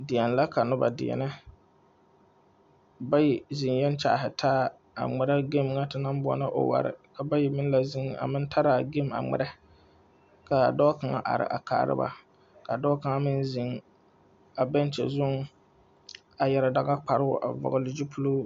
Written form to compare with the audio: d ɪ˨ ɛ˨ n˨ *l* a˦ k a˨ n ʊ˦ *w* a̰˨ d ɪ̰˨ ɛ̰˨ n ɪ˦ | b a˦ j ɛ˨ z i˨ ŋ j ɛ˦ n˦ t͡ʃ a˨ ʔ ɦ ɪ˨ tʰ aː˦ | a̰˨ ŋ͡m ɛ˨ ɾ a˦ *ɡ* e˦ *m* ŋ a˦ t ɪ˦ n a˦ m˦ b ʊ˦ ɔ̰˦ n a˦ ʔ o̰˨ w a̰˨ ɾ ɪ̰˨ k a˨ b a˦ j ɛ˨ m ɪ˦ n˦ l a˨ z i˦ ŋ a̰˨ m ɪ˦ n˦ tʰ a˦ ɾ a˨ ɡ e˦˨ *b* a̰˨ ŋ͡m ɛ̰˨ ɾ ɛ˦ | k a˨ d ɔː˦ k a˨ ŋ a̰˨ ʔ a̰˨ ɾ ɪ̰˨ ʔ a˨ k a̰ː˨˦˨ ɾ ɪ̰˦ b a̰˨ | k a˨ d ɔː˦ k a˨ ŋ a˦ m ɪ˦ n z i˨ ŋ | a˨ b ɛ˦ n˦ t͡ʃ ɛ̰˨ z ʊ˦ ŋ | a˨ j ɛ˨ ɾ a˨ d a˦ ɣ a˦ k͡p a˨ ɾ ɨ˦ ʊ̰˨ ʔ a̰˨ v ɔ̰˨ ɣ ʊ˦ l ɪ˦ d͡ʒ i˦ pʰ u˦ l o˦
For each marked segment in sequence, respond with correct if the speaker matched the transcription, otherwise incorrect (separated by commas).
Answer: correct, incorrect, correct, correct, incorrect